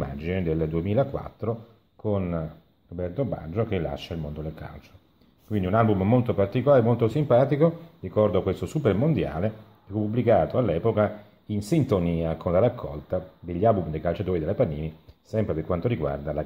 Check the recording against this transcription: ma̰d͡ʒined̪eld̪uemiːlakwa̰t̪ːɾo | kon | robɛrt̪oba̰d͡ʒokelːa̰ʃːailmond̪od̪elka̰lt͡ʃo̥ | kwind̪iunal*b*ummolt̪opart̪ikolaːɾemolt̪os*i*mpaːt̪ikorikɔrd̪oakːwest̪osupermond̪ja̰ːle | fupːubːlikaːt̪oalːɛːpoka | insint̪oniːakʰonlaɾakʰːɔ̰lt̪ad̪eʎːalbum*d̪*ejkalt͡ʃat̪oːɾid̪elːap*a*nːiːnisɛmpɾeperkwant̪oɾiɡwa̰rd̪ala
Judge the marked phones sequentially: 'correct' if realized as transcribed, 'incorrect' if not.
correct, correct, correct, correct

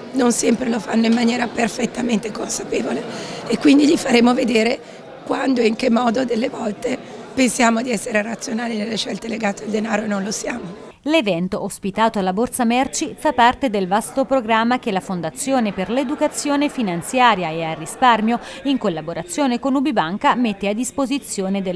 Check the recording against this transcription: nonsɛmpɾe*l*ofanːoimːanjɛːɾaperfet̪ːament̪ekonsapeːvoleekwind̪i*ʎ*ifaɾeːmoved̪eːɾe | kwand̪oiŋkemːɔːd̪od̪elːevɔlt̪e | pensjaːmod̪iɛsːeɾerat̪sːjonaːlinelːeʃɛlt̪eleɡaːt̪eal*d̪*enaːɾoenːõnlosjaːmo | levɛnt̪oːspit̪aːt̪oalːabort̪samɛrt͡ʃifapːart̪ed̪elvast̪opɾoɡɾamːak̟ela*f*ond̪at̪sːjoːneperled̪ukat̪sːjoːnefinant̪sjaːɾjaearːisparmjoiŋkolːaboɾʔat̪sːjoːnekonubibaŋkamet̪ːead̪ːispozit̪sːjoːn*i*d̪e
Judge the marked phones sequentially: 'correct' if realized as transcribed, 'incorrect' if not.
correct, correct, correct, correct, incorrect

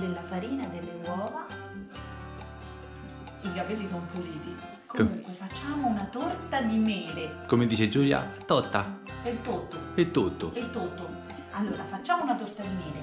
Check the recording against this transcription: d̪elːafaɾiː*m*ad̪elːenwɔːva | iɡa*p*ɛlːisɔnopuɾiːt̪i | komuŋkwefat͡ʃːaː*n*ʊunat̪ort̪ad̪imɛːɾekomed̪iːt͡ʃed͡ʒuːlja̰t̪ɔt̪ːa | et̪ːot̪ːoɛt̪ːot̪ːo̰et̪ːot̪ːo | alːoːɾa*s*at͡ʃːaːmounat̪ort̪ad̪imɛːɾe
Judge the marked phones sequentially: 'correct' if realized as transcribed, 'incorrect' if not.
incorrect, correct, incorrect, incorrect

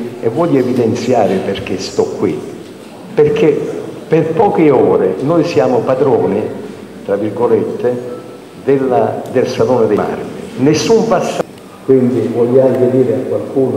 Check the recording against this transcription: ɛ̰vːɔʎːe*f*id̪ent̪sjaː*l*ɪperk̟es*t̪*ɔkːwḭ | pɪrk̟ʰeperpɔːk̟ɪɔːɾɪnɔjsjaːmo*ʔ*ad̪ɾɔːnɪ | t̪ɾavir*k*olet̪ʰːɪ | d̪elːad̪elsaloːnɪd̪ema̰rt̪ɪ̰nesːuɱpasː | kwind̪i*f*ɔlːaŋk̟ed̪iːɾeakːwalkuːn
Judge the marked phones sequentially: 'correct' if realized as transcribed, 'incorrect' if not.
incorrect, incorrect, correct, incorrect, incorrect, incorrect

